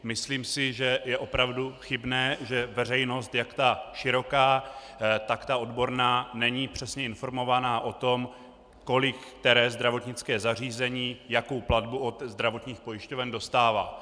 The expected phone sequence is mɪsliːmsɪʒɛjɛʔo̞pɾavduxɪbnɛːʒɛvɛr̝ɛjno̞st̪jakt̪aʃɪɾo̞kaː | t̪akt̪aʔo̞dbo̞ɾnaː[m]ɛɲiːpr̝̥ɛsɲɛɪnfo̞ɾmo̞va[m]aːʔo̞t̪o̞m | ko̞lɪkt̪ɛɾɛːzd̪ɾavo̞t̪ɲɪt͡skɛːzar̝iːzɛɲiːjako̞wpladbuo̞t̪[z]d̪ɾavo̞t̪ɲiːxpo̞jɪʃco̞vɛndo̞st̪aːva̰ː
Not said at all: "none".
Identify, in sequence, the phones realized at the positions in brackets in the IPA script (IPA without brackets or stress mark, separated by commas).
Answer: n, n, z